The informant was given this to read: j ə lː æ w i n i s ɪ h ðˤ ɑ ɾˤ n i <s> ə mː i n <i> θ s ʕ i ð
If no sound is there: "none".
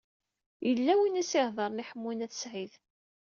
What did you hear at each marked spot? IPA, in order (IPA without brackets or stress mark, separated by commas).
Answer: ħ, æ